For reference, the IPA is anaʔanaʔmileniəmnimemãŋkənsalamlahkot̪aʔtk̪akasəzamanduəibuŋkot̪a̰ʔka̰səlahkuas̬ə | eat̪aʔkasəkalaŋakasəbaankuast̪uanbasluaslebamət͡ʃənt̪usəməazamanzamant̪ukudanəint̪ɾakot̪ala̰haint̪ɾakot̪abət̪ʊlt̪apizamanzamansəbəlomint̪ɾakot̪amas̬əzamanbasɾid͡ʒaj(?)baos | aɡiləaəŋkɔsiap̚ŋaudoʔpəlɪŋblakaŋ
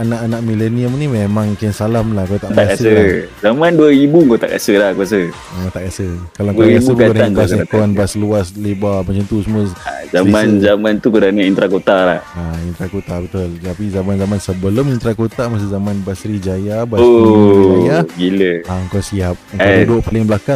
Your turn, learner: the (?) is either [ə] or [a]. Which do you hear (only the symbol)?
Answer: a